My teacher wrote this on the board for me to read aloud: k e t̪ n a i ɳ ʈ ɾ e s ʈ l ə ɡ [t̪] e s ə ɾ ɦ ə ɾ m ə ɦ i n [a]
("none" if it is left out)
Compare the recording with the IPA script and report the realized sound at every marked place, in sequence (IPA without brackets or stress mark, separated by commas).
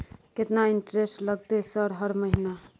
t̪, a